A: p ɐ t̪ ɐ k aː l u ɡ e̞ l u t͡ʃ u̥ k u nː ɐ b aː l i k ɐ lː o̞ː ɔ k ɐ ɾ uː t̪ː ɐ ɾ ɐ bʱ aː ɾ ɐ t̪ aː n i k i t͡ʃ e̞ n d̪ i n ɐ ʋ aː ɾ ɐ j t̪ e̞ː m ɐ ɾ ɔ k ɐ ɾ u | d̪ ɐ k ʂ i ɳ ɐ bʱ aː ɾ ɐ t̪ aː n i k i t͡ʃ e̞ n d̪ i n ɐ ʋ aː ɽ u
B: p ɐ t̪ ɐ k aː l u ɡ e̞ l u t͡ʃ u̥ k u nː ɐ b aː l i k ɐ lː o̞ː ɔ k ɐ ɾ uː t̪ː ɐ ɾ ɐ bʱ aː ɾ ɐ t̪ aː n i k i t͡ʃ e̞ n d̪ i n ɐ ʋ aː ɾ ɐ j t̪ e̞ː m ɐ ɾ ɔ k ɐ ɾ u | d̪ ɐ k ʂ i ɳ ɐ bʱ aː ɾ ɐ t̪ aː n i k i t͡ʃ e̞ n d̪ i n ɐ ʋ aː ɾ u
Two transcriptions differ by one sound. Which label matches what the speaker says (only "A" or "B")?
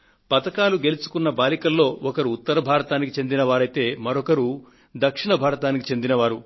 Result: B